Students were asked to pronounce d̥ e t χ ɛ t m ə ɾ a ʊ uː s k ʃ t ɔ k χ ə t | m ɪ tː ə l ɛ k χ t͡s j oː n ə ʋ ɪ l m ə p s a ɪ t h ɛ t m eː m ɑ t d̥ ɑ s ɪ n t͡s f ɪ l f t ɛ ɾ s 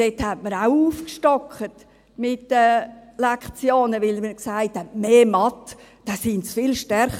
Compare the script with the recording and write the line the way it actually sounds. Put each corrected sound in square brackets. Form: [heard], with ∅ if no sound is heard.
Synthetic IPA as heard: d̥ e t [h] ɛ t m ə ɾ a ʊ uː [f] k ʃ t ɔ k χ ə t | m ɪ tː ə l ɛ k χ t͡s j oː n ə ʋ ɪ l m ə [k] s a ɪ t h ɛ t m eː m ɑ t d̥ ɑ s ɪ n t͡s f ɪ l [ʃ] t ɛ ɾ [χ]